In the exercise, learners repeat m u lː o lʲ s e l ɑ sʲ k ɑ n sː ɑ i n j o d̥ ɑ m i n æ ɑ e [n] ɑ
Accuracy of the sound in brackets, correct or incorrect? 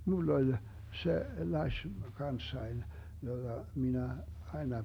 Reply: correct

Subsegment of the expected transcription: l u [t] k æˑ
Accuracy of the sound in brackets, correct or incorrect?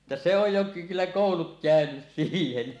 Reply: correct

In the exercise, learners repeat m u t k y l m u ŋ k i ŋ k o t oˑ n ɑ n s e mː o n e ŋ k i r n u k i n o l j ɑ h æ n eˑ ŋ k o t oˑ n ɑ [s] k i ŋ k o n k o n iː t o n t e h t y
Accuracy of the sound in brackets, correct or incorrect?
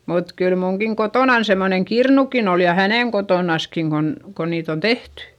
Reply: correct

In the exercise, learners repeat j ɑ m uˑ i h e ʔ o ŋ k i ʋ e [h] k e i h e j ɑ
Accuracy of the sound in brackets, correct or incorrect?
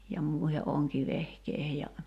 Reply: correct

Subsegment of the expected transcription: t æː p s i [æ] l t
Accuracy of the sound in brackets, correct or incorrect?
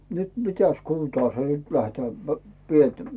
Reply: incorrect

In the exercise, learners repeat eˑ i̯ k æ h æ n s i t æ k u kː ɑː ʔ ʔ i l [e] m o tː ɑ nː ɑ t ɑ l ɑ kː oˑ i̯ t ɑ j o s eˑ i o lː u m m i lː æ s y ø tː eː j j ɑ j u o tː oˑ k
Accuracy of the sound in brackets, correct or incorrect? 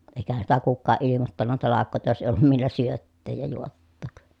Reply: incorrect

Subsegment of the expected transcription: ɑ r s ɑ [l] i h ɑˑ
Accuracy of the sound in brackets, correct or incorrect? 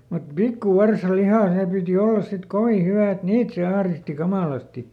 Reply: correct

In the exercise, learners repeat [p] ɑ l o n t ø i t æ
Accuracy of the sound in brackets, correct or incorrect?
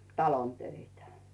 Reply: incorrect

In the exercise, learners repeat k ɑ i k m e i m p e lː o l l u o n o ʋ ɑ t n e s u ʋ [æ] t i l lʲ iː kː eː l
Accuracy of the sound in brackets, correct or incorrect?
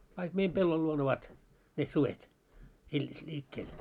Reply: incorrect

